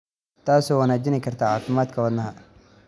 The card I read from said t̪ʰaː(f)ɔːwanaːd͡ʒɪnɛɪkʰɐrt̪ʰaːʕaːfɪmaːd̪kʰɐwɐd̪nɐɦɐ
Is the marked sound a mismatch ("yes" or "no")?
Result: yes